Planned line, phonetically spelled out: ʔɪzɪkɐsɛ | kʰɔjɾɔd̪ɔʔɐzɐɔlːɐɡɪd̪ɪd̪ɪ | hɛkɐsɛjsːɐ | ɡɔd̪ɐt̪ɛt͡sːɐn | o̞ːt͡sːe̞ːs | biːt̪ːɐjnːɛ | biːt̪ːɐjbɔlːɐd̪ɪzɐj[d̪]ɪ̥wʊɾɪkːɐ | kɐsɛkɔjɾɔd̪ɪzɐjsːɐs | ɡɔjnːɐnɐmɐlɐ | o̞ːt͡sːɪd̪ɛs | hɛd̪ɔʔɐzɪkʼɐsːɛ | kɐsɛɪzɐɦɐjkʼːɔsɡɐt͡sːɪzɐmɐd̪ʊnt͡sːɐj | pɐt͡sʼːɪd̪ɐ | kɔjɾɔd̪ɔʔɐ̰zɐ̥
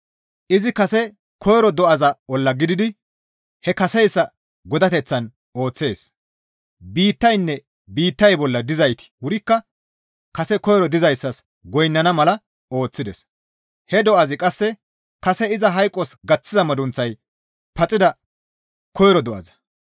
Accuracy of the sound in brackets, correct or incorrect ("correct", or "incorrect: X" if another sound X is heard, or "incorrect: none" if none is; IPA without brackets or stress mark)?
incorrect: t̪